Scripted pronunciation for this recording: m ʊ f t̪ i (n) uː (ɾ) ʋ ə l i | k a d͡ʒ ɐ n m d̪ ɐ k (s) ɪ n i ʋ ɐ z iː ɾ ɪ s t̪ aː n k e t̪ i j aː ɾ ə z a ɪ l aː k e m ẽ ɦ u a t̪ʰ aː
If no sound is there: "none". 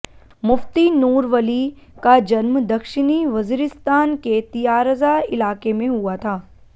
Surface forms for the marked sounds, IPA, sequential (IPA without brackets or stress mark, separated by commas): n, ɾ, ʃ